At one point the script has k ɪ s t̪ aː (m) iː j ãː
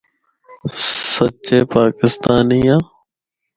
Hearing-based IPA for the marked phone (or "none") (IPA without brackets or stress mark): n